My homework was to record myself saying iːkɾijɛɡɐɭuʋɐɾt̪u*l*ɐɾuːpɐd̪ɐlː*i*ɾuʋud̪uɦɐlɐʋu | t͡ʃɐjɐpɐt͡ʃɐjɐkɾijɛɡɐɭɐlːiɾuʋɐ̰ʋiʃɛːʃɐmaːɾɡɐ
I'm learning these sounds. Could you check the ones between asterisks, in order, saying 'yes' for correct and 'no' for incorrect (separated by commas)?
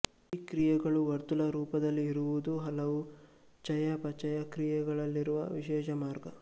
yes, no